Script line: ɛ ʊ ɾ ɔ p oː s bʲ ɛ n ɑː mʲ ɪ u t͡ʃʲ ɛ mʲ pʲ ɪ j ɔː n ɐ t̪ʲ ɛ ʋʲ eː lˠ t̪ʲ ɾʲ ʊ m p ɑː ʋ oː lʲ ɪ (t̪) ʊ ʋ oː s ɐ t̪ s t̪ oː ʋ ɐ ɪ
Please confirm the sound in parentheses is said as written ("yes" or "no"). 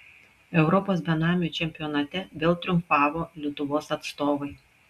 yes